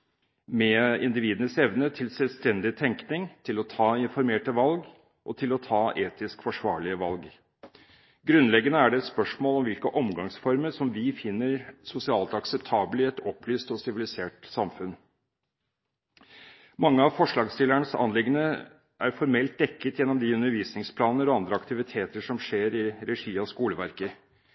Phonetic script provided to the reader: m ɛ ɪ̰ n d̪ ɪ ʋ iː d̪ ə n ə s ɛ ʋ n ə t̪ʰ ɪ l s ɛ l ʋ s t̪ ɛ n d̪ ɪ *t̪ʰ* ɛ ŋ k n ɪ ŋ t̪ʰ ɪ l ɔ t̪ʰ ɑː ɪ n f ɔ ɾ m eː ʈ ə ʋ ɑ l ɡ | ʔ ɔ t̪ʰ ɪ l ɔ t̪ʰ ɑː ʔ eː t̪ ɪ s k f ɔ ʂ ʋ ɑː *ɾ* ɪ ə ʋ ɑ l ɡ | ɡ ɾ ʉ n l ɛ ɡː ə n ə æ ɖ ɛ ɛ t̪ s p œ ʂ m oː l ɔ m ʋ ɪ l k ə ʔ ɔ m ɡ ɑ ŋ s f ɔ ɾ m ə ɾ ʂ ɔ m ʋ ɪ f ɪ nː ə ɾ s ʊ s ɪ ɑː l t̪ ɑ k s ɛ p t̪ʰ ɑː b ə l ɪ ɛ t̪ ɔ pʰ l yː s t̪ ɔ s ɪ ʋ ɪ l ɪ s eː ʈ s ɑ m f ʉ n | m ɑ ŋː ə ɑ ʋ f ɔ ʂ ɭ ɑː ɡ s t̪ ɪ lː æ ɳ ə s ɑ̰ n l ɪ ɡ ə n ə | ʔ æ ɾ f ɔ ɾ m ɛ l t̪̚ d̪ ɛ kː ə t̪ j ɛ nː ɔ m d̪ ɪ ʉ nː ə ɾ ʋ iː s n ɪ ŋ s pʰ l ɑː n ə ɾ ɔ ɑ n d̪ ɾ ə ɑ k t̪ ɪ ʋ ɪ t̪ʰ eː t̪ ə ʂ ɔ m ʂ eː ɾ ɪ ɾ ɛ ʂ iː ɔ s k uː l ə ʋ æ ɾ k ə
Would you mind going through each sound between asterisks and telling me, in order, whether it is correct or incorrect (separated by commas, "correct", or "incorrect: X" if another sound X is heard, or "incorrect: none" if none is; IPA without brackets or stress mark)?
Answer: correct, incorrect: ɭ